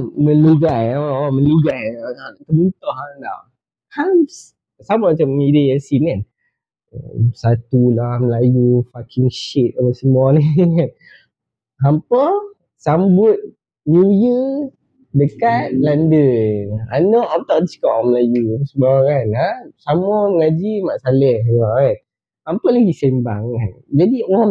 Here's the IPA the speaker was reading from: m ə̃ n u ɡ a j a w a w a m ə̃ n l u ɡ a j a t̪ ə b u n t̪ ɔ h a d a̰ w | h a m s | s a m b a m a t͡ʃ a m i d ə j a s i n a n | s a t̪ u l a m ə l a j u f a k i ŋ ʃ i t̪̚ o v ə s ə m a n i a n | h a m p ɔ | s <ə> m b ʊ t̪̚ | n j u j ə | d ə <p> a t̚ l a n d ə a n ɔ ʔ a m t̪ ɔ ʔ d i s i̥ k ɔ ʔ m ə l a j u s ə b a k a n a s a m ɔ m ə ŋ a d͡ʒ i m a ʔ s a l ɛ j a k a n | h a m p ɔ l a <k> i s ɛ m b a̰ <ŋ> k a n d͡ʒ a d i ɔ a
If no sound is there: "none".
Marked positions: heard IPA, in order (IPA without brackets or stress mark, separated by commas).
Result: a, k, ɡ, ŋ